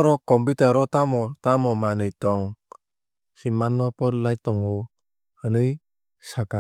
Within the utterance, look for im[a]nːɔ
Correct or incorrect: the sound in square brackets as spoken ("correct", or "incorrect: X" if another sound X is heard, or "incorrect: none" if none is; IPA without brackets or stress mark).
correct